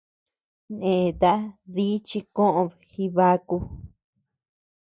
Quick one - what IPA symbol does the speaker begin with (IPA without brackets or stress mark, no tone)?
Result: n